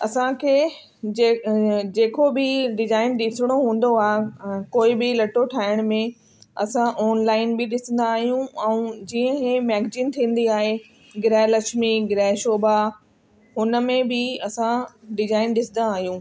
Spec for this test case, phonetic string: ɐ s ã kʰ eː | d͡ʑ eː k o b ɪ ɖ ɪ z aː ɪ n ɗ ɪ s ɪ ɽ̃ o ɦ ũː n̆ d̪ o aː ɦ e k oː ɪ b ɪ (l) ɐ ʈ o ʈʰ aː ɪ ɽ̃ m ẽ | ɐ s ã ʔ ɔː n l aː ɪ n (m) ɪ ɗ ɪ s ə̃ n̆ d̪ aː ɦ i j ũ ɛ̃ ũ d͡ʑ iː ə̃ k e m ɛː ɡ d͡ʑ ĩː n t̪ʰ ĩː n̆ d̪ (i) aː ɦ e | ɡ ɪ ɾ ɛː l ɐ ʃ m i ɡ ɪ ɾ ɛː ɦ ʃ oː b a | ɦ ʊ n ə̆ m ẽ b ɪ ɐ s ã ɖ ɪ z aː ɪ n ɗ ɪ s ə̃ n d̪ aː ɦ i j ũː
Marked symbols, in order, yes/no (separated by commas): yes, no, yes